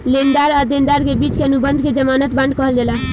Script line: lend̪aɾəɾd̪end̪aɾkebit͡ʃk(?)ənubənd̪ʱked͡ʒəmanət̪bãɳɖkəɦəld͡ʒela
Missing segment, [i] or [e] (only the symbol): e